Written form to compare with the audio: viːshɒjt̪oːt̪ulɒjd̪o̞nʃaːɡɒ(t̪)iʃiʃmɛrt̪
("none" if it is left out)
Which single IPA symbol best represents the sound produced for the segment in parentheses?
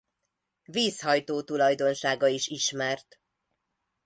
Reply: none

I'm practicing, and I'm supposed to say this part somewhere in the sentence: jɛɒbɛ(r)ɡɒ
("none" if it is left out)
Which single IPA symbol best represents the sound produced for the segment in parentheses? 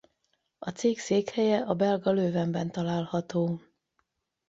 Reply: l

